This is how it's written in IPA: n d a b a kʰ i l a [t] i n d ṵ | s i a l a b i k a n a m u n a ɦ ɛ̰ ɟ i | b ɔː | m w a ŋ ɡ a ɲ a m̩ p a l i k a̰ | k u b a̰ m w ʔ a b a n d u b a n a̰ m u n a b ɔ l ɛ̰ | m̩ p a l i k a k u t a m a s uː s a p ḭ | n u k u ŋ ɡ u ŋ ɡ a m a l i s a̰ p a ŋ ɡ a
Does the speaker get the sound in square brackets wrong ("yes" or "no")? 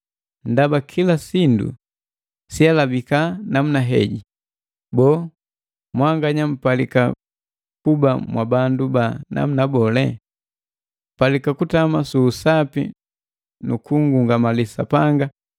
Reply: yes